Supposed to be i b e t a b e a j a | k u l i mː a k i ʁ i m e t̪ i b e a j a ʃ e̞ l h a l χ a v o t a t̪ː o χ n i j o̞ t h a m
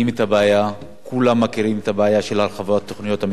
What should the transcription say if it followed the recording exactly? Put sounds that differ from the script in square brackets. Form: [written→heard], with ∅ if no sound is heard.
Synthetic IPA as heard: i [b→m] e t a b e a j a | k u l [i→a] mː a k i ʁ i m e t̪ [i→a] b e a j a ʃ e̞ l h a l χ a v o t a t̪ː o χ n i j o̞ t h a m